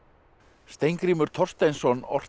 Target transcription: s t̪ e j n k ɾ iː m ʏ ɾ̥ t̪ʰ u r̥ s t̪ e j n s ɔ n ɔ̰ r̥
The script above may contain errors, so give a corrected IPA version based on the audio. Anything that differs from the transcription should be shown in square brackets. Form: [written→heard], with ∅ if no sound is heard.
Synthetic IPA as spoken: s t̪ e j [n→ŋ] k ɾ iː m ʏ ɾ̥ t̪ʰ [u→ɔ] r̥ s t̪ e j n s ɔ n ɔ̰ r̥

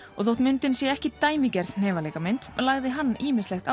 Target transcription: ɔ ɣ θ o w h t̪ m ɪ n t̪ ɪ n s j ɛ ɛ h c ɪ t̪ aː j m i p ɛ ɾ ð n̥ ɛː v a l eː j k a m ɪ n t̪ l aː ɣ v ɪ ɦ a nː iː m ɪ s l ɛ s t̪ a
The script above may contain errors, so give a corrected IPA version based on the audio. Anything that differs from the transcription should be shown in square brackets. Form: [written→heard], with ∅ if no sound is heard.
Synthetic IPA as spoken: ɔ ɣ θ o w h t̪ m ɪ n t̪ ɪ n s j ɛ ɛ h c ɪ t̪ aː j m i [p→c] ɛ ɾ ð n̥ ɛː v a l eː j k a m ɪ n t̪ l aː ɣ [v→ð] ɪ ɦ a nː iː m ɪ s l ɛ [s→x] t̪ a

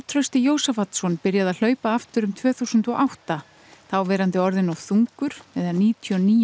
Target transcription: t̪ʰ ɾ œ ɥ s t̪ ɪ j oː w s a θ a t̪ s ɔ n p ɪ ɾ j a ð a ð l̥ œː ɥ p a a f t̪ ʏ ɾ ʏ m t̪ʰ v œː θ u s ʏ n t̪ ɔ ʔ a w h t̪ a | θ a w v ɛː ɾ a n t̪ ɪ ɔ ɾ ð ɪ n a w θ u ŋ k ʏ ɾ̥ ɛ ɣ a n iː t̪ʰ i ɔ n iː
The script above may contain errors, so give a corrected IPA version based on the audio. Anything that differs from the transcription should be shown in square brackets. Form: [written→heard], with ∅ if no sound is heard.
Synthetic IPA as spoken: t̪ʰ ɾ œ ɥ s t̪ ɪ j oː w s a [θ→f] a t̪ s ɔ n p ɪ ɾ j a ð a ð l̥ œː ɥ p a a f t̪ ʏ ɾ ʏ m t̪ʰ v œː θ u s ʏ n t̪ ɔ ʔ a w h t̪ a | θ a w v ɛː ɾ a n t̪ ɪ ɔ ɾ ð ɪ n a w θ u ŋ k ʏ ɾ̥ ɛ [ɣ→ð] a n iː t̪ʰ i ɔ n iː

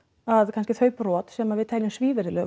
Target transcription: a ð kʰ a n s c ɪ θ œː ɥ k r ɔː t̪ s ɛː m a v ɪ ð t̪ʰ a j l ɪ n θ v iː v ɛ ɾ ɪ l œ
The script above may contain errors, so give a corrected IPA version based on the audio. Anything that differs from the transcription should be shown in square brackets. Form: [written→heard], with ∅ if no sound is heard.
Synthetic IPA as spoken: a ð kʰ a n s c ɪ θ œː ɥ [k→p] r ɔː t̪ s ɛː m a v ɪ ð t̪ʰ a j l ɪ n [θ→s] v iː v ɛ ɾ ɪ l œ

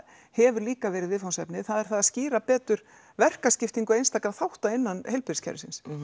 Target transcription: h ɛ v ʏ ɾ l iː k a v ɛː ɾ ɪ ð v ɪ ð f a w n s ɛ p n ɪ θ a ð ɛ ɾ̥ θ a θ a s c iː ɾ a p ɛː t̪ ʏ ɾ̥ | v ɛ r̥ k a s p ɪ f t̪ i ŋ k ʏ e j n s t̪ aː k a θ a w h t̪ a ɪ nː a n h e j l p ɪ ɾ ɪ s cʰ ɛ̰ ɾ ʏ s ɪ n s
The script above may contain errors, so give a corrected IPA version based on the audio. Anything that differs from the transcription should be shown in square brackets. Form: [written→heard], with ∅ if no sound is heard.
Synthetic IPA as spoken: h ɛ v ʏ ɾ l iː k a v ɛː ɾ ɪ ð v ɪ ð f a w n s ɛ p n ɪ θ a ð ɛ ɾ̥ θ a [θ→ð] a s c iː ɾ a p ɛː t̪ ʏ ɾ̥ | v ɛ r̥ k a s [p→c] ɪ f t̪ i ŋ k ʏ e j n s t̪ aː k a θ a w h t̪ a ɪ nː a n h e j l p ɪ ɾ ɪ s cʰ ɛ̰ ɾ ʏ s ɪ n s

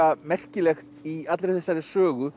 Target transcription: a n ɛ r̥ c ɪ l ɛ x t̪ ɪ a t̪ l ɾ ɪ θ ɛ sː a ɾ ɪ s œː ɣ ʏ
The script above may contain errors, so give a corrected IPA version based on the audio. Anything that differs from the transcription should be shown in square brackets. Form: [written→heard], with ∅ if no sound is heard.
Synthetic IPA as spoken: a [n→m] ɛ r̥ c ɪ l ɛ x t̪ [ɪ→i] a t̪ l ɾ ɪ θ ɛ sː a ɾ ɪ s œː ɣ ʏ

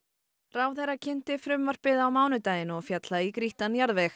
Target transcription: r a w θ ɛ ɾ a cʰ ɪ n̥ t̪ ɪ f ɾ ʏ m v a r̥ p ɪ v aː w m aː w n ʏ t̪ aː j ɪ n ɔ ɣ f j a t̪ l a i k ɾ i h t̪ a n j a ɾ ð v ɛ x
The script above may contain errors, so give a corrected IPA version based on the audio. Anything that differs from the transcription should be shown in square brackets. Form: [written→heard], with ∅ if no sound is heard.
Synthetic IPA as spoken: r a w θ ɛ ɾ a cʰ ɪ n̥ t̪ ɪ f ɾ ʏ m v a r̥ p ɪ [v→ð] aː w m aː w n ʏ t̪ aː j ɪ n ɔ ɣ f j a t̪ l a i k ɾ i h t̪ a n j a ɾ ð v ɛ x

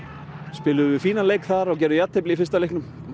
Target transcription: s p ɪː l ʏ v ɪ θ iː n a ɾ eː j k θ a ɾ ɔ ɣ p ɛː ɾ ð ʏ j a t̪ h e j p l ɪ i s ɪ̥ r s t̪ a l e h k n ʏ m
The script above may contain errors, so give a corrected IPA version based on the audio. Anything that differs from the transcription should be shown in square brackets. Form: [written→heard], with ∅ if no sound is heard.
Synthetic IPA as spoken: s p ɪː l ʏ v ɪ [θ→f] iː n a [ɾ→l] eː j k θ a ɾ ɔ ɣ [p→c] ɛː ɾ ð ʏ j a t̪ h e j p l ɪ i [s→f] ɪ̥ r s t̪ a l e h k n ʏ m

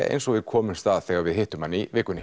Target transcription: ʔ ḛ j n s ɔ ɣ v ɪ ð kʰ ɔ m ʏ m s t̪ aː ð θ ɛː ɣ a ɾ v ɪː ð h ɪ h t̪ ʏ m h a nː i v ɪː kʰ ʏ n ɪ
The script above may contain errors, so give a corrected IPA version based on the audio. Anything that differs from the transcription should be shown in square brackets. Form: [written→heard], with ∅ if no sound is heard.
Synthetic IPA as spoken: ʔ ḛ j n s ɔ ɣ v ɪ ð kʰ [ɔ→ɔː] m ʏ m s t̪ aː ð θ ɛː ɣ a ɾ v [ɪː→ɪ] ð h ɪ h t̪ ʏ m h a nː i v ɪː [kʰ→k] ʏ n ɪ

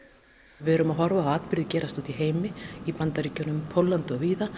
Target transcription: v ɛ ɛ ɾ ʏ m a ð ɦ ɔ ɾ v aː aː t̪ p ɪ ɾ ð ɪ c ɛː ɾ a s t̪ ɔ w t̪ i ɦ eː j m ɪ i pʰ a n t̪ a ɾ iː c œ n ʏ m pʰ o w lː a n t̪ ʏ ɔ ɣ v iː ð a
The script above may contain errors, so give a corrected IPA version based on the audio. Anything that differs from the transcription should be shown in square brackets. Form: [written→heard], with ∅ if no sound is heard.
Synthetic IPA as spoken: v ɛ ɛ ɾ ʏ m a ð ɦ ɔ ɾ v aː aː t̪ p ɪ ɾ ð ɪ c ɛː ɾ a s t̪ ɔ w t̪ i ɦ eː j m ɪ i [pʰ→p] a n t̪ a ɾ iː c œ n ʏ m pʰ o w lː a n t̪ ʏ ɔ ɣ v iː ð a

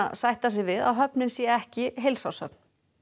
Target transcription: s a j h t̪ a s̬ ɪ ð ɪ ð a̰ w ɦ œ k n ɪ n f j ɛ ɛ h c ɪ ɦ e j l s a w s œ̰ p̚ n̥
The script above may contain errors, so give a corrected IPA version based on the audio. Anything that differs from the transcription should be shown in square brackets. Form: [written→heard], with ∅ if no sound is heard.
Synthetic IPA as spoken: s a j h t̪ a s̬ ɪ [ð→v] ɪ ð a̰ w ɦ œ [k→p] n ɪ n [f→s] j ɛ ɛ h c ɪ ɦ e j l s a w s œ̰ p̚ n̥

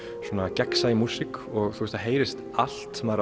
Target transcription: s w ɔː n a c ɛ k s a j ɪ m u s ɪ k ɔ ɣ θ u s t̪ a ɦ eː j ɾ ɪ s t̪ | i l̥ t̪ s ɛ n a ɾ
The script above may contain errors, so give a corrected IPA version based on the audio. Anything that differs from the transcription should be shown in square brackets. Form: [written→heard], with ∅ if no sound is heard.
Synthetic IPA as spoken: s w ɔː n a c ɛ k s a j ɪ m u s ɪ k ɔ ɣ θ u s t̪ a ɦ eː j ɾ ɪ s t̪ | [i→a] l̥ t̪ s ɛ [n→m] a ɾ

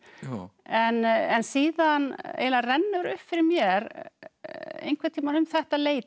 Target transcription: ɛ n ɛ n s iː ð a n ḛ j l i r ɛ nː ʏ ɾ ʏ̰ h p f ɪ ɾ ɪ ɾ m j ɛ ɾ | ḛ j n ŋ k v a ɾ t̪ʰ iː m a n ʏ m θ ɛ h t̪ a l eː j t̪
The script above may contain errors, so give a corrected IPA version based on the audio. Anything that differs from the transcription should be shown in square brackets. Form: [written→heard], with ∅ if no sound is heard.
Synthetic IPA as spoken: ɛ n ɛ n s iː ð a n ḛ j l [i→a] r ɛ nː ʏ ɾ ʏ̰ h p f ɪ ɾ ɪ ɾ m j ɛ ɾ | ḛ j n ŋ k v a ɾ t̪ʰ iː m a n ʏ m θ ɛ h t̪ a l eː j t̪

